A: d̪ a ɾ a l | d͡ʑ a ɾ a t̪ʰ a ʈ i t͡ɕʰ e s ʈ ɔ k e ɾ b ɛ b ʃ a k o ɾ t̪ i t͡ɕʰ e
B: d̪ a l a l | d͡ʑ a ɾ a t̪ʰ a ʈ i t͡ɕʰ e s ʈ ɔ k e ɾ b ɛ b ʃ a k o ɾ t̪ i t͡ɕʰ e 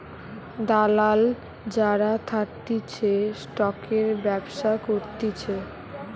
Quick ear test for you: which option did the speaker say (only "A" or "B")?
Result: B